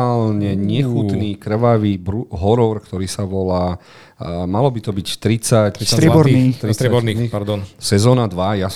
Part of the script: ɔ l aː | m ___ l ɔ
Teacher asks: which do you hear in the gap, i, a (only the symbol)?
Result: a